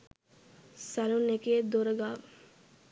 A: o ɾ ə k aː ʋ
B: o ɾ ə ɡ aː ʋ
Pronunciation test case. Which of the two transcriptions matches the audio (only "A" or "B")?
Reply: B